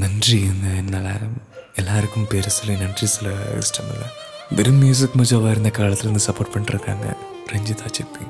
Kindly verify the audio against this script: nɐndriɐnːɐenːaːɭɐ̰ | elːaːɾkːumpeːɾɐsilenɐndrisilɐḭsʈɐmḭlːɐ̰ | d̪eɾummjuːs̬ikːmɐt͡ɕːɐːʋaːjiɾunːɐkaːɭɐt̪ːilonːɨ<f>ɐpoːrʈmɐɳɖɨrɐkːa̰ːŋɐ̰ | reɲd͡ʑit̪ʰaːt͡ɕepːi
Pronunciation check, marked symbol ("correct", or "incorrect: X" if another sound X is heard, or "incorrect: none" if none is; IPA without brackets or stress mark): incorrect: s